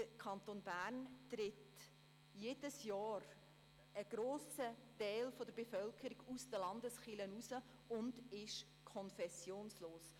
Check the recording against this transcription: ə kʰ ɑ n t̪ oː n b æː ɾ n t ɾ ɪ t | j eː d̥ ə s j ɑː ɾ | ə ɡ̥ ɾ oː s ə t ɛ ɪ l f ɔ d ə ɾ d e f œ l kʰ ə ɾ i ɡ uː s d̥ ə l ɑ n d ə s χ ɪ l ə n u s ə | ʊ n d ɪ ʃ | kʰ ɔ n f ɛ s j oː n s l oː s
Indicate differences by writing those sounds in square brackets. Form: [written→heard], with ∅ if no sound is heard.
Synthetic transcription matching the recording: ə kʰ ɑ n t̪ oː n b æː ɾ n t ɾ ɪ t | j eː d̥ ə s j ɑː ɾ | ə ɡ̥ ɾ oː s ə t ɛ ɪ l f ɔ d ə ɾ [d→b] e f œ l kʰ ə ɾ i ɡ [uː→u] s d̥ ə l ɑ n d ə s χ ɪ l ə n u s ə | ʊ n d ɪ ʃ | kʰ ɔ n f ɛ s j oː n s l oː s